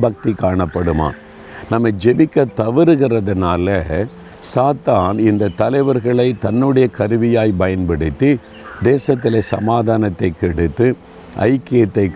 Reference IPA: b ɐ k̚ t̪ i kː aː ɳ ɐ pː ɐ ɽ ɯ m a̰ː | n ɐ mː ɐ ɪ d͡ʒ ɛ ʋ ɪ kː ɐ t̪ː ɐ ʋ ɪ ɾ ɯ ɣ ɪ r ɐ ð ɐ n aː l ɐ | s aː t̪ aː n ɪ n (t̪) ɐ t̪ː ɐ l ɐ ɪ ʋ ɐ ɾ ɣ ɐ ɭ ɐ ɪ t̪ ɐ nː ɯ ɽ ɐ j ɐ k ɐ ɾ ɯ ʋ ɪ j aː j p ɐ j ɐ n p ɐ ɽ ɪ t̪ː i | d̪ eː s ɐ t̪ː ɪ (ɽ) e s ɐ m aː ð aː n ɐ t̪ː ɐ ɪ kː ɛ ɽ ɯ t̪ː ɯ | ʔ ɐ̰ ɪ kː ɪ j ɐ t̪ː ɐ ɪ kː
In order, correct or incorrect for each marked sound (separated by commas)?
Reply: incorrect, incorrect